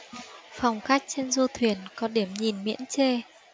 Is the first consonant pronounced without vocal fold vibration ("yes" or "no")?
yes